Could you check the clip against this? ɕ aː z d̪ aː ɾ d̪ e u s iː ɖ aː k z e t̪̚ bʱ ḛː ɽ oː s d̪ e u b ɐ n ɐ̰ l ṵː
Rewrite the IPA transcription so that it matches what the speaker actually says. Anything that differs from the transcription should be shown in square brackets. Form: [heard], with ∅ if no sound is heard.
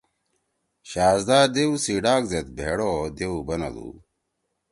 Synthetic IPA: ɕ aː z d̪ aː ɾ d̪ e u s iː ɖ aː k z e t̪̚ bʱ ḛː ɽ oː [∅] d̪ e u b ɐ n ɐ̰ l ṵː